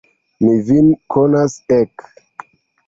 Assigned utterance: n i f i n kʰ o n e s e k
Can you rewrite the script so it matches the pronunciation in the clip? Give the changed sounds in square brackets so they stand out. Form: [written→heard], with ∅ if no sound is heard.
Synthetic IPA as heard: [n→m] i [f→v] i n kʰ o n [e→a] s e k